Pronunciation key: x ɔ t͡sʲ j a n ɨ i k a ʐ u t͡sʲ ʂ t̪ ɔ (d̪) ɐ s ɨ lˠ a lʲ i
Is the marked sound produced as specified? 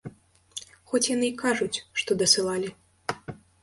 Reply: yes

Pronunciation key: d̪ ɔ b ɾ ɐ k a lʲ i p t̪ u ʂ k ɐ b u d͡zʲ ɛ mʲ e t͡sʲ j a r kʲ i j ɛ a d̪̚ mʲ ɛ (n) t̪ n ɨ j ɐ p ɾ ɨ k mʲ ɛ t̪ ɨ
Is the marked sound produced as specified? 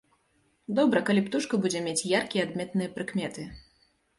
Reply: no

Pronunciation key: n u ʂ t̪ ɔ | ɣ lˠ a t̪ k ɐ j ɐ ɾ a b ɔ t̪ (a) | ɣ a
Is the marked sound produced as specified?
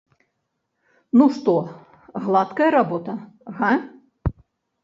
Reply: no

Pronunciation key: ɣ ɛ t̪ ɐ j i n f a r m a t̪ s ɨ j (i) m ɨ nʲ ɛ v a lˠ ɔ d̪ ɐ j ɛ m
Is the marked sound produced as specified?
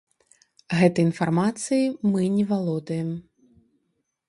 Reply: yes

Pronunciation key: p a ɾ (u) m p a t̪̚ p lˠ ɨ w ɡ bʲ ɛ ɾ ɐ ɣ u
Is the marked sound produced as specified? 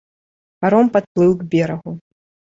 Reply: no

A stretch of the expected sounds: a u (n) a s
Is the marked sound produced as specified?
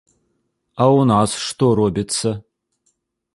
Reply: yes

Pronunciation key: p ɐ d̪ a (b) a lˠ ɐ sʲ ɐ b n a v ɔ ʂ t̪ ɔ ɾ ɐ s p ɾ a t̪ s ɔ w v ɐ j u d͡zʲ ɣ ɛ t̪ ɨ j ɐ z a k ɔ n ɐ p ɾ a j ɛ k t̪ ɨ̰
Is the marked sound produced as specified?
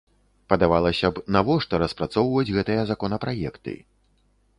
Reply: no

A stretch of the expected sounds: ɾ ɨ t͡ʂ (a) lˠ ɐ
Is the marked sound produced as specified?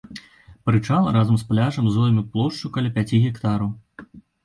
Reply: yes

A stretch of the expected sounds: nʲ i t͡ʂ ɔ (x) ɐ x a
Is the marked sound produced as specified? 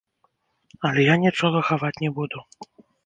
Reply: no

